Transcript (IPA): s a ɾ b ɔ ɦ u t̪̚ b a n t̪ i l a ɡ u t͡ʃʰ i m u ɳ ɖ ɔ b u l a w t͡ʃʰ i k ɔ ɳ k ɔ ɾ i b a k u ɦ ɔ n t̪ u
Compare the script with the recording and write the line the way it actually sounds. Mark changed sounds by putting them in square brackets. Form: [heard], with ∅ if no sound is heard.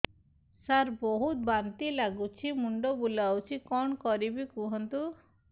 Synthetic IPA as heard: s a ɾ b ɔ ɦ u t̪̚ b a n t̪ i l a ɡ u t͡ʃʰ i m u ɳ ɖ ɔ b u l a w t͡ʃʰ i k ɔ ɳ k ɔ ɾ i b [i] k u ɦ ɔ n t̪ u